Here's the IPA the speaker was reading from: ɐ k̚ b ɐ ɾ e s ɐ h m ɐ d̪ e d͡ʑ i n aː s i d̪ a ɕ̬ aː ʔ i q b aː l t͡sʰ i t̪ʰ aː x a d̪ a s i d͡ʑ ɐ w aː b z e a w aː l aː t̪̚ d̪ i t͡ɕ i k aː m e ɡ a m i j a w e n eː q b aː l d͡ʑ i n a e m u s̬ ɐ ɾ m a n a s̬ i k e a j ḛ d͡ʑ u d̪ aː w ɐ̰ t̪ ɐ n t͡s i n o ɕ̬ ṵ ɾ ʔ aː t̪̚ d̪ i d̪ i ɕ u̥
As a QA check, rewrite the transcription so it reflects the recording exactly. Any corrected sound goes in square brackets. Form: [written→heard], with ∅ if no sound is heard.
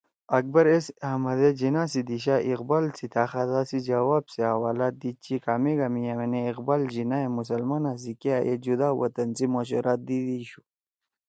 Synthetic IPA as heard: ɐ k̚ b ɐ ɾ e s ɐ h m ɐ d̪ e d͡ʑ i n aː s i d̪ [a→i] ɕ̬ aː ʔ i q b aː l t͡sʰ i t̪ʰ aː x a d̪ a s i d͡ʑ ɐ w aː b [z→s] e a w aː l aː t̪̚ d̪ i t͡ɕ i k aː m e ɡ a m i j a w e n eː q b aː l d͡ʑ i n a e m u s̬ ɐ [ɾ→l] m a n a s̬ i k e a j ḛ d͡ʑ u d̪ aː w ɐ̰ t̪ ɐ n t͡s i [n→m] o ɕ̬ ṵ ɾ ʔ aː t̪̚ d̪ i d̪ i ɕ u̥